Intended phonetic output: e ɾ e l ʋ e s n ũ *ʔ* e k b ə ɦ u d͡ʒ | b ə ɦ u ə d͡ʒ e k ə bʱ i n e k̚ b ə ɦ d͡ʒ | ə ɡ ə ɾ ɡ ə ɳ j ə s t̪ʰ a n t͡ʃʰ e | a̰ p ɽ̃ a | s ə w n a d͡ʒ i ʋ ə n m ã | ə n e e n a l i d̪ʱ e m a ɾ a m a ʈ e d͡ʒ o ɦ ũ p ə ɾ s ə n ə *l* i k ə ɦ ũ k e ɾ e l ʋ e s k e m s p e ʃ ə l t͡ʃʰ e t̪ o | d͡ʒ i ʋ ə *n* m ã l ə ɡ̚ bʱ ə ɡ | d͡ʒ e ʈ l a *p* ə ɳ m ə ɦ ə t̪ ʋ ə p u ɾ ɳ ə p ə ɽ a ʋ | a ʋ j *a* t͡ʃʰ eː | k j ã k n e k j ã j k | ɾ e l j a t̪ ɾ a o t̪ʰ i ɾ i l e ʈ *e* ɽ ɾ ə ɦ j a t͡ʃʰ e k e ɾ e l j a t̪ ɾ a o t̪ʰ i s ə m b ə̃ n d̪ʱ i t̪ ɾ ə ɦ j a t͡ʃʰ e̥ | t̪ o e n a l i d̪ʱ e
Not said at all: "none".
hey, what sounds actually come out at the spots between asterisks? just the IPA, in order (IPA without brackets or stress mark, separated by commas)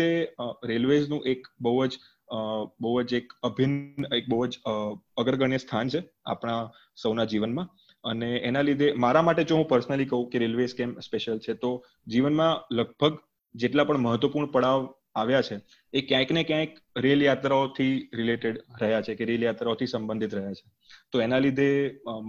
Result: ʔ, l, n, p, a, e